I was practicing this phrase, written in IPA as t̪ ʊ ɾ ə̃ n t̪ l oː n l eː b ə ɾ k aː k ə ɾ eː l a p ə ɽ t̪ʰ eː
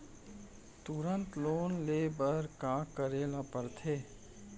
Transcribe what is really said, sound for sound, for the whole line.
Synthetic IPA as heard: t̪ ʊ ɾ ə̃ n t̪ l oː n l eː b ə ɾ k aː k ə ɾ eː l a p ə ɾ t̪ʰ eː